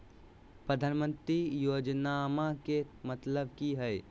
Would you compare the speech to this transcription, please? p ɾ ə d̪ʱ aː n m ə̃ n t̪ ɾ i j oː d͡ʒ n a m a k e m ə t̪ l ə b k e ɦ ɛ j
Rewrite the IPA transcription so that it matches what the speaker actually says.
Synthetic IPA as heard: p ɾ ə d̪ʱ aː n m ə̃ n t̪ ɾ i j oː d͡ʒ n a m a k e m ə t̪ l ə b k i ɦ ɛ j